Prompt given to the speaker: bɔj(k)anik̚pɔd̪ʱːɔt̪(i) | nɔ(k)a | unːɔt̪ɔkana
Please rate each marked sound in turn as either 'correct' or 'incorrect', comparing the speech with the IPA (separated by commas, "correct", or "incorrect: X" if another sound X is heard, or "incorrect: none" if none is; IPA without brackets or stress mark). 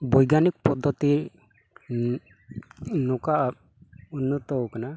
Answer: incorrect: ɡ, correct, correct